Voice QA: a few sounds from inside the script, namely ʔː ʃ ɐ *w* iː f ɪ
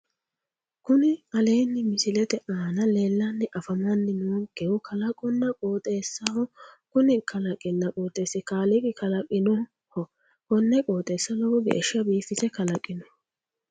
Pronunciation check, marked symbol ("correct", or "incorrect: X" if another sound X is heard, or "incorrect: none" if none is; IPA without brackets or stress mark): incorrect: b